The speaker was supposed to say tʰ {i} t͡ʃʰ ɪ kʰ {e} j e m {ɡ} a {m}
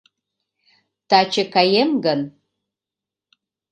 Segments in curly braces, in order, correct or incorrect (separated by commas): incorrect, incorrect, correct, incorrect